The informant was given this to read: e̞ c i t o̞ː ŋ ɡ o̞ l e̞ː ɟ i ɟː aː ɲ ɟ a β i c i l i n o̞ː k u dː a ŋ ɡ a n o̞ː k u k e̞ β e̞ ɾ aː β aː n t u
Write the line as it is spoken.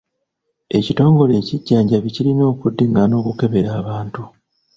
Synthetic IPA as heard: e̞ c i t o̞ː ŋ ɡ o̞ l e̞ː c i ɟː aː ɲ ɟ a β i c i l i n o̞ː k u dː e ŋ ɡ a n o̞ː k u k e̞ β e̞ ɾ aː β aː n t u